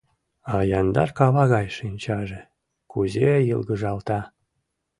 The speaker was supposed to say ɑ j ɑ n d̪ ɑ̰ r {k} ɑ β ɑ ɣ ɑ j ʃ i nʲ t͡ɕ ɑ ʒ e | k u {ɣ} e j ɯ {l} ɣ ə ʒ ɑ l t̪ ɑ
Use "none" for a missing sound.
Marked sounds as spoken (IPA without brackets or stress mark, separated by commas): k, z, l